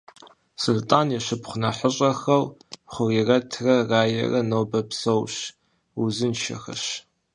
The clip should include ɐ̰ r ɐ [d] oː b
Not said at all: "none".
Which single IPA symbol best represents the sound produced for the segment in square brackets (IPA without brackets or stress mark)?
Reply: n